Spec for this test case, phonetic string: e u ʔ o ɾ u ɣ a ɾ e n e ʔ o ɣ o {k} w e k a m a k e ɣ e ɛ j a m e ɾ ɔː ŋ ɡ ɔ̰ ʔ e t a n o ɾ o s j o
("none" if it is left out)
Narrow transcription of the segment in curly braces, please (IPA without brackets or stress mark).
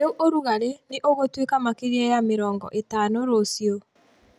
t